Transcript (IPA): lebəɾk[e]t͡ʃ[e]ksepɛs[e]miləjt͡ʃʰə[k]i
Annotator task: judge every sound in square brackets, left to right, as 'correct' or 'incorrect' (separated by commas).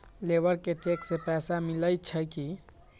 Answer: correct, correct, incorrect, correct